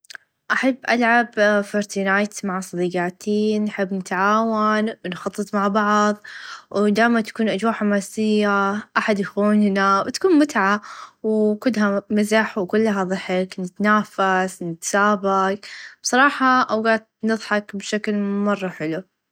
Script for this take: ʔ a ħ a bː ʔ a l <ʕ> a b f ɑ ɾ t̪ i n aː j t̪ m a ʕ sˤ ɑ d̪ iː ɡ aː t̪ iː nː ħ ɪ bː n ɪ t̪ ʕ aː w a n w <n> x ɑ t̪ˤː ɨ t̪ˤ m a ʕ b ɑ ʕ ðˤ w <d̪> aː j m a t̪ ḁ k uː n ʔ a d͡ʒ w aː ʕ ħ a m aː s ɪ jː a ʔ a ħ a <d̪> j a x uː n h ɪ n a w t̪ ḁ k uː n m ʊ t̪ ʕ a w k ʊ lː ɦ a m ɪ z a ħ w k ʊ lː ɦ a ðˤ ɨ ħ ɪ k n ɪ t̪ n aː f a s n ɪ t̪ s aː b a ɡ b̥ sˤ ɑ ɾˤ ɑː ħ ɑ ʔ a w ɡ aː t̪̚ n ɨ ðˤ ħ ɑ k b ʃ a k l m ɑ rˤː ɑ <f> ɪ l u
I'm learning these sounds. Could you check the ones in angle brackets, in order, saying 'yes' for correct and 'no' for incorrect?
yes, yes, yes, yes, no

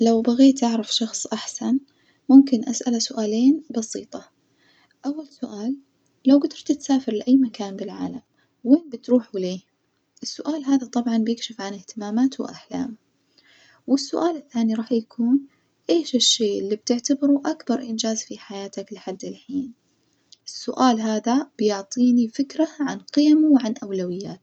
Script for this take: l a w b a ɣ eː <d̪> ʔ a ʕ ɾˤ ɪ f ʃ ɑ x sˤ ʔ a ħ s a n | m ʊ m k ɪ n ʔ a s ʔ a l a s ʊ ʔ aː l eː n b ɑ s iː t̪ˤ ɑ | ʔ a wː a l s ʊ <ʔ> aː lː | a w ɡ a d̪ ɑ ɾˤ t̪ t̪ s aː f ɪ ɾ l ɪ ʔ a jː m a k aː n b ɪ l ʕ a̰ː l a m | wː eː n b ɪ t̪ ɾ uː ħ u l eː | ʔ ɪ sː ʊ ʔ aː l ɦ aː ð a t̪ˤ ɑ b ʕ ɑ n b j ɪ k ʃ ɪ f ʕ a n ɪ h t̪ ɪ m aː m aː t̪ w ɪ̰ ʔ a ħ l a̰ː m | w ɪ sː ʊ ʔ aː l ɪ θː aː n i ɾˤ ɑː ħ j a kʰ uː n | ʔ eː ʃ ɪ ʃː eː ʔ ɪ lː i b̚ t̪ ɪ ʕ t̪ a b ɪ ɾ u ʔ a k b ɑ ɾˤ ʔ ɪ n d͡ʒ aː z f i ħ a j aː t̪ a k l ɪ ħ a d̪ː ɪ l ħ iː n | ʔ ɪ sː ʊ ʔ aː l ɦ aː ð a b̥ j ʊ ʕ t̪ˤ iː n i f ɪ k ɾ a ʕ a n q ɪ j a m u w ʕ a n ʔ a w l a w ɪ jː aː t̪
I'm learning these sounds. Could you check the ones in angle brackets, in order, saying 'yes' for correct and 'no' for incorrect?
no, yes

